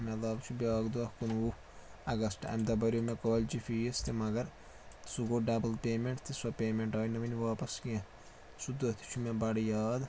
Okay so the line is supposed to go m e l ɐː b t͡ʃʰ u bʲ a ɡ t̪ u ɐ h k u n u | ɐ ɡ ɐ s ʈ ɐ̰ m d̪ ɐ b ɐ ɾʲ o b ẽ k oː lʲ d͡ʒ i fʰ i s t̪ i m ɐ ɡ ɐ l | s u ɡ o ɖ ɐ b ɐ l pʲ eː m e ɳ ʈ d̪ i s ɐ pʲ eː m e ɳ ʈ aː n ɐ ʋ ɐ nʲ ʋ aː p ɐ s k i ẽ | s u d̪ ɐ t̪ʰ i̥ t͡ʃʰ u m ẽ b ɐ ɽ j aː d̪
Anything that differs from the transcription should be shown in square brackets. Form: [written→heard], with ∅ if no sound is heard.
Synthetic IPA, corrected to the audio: m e l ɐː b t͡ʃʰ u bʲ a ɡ [t̪→d̪] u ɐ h k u n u | ɐ ɡ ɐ s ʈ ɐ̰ m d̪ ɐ b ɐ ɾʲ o [b→m] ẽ k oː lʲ d͡ʒ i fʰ i s t̪ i m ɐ ɡ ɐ [l→ɾ] | s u ɡ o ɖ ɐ b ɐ l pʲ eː m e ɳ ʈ [d̪→t̪] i s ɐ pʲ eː m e ɳ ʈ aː n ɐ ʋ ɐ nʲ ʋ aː p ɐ s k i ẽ | s u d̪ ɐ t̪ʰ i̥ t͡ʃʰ u m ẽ b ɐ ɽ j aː d̪